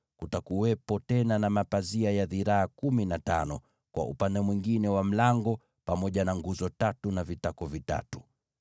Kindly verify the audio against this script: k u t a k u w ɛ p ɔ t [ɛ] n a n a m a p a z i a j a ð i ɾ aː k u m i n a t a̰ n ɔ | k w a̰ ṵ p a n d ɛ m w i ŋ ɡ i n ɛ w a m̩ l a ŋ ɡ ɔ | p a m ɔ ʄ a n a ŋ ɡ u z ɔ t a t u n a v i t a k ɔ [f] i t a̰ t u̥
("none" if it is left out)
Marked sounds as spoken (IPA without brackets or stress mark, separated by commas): ɛ, v